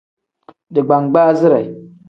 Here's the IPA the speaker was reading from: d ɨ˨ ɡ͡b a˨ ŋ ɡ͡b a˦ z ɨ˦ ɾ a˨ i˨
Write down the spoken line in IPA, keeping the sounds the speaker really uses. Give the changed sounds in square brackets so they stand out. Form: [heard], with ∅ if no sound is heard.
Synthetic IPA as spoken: d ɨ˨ ɡ͡b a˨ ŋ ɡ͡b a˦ z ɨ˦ ɾ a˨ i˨